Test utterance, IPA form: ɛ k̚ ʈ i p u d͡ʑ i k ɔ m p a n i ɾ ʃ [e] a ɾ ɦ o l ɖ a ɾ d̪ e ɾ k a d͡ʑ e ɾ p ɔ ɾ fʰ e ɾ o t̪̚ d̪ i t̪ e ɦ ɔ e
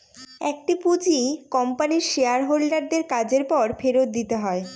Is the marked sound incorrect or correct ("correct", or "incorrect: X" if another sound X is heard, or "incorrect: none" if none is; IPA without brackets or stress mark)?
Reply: correct